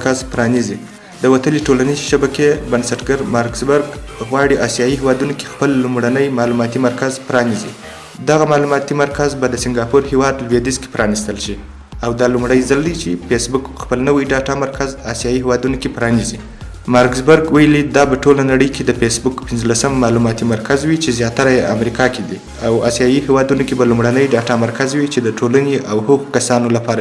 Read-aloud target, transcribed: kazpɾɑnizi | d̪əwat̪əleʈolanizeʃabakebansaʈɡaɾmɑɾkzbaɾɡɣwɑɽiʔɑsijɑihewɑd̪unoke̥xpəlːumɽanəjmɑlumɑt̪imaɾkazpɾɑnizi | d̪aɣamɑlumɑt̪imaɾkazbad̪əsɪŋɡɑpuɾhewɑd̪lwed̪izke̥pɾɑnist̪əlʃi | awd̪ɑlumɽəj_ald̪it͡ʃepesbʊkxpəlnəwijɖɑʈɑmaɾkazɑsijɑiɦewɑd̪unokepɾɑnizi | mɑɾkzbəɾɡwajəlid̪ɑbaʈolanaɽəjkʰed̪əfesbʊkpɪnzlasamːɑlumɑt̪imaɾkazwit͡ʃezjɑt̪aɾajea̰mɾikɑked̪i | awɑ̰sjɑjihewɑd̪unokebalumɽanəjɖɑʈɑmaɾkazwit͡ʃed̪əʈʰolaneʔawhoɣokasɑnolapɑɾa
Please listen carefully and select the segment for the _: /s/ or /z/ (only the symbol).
z